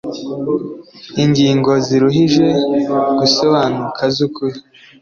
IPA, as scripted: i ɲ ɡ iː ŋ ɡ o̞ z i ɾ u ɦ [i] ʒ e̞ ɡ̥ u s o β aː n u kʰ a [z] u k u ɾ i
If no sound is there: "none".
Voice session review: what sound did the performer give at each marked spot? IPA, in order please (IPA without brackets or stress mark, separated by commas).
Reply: i, z